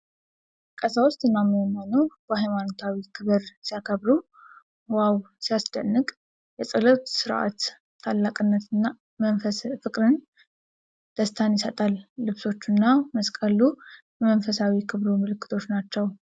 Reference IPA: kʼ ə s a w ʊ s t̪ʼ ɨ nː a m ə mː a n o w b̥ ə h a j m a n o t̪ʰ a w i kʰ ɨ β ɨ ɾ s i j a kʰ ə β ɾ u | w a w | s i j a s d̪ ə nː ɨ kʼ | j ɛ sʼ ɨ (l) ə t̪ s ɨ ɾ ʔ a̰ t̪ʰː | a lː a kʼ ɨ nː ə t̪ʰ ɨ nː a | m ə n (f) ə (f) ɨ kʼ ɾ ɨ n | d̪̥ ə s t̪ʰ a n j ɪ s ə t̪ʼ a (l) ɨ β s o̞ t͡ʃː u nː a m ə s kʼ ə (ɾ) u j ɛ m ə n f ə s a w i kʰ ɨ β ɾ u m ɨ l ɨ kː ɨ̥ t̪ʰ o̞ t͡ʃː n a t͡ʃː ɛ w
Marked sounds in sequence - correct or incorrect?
correct, correct, correct, incorrect: lː, incorrect: l

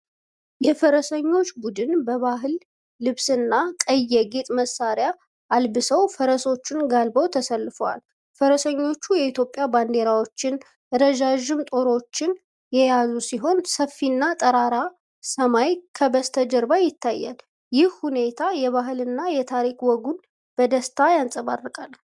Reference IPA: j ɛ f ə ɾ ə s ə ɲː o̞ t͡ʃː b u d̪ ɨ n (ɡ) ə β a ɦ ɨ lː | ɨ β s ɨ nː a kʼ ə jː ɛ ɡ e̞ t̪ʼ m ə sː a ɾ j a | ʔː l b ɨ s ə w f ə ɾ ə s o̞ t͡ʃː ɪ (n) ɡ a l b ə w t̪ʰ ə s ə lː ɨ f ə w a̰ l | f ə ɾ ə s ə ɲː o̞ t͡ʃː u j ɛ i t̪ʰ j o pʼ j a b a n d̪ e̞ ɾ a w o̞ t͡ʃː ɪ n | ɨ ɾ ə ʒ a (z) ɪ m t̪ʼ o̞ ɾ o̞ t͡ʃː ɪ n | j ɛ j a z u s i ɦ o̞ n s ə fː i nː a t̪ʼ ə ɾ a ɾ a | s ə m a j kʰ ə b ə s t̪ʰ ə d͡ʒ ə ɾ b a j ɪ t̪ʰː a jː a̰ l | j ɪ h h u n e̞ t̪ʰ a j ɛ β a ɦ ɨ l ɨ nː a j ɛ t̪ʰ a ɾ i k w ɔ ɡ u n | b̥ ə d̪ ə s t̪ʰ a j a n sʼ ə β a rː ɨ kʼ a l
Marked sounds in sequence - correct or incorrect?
incorrect: b, correct, incorrect: ʒ

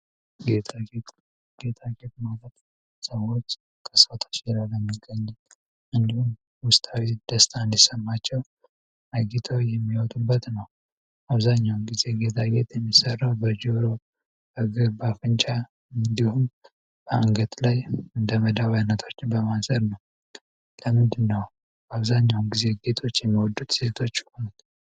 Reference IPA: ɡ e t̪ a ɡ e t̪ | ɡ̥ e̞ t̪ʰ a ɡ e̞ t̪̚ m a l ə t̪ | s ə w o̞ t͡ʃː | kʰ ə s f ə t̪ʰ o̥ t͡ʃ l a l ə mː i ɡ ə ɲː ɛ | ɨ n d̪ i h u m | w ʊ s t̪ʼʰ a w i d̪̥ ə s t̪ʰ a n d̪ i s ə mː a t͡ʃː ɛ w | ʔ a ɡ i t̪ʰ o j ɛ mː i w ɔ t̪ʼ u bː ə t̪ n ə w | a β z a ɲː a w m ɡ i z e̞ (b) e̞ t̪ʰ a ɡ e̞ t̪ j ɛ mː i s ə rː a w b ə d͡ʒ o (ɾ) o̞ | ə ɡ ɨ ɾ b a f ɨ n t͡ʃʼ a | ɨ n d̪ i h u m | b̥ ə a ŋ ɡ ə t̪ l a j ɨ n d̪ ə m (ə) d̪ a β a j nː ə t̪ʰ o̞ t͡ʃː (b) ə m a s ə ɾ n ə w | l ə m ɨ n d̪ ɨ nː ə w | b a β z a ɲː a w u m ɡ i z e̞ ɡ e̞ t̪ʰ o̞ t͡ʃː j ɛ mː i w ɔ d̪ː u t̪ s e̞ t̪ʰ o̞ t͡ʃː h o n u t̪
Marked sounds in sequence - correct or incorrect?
incorrect: ɡ, correct, correct, correct

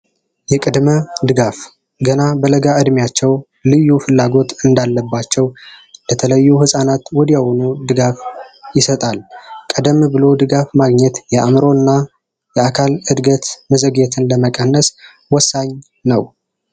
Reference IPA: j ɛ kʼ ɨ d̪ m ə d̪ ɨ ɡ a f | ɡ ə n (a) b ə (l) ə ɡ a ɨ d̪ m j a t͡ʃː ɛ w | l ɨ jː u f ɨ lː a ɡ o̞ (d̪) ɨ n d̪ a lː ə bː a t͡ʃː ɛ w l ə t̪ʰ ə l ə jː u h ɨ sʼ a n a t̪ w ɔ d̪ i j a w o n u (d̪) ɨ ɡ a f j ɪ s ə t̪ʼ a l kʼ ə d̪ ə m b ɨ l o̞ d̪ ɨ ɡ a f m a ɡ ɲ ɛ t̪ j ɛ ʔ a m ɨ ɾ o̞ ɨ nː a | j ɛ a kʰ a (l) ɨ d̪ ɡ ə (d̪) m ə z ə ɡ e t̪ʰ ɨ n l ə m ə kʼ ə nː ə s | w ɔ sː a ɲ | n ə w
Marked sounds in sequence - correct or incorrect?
correct, correct, incorrect: t̪, correct, correct, incorrect: t̪

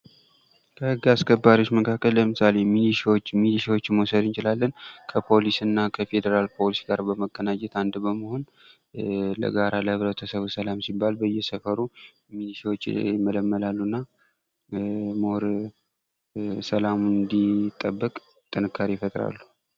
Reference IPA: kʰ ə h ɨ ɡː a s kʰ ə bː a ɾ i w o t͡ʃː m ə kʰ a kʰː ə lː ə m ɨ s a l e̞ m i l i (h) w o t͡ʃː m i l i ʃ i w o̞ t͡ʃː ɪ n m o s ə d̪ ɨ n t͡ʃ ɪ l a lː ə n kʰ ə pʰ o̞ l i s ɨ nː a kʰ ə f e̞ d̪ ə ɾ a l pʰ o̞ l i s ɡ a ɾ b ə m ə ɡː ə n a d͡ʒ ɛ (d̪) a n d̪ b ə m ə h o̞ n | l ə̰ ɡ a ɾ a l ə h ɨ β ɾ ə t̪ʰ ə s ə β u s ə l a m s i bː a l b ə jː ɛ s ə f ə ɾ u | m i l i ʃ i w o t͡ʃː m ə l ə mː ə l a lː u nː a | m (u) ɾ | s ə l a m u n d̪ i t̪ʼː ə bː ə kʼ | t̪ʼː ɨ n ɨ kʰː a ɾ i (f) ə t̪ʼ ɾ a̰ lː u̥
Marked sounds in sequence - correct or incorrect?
incorrect: ʃ, incorrect: t̪, incorrect: o, correct

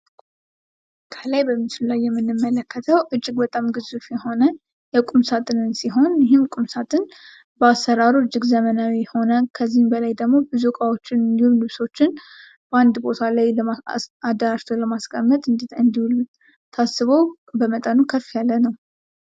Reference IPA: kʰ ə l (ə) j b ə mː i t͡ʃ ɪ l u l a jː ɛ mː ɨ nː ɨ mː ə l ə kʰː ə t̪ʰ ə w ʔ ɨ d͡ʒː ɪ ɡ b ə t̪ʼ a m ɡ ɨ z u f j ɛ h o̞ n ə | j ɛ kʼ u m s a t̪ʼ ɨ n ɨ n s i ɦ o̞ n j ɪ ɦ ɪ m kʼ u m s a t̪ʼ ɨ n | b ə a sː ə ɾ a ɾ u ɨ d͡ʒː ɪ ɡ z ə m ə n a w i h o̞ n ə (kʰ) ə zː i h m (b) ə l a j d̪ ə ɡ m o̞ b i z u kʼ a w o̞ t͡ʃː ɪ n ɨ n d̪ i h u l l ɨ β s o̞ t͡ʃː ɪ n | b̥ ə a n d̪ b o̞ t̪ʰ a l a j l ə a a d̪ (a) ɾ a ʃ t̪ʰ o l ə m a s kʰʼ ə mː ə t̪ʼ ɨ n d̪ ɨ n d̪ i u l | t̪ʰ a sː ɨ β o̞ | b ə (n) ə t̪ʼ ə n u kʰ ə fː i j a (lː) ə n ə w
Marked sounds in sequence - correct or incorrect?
incorrect: a, correct, correct, incorrect: ə, incorrect: m, correct

